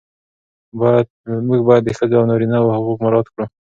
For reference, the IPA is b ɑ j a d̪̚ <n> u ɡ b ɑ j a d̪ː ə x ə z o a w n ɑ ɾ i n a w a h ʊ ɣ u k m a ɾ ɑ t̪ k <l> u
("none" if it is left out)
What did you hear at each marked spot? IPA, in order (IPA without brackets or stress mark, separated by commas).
m, ɽ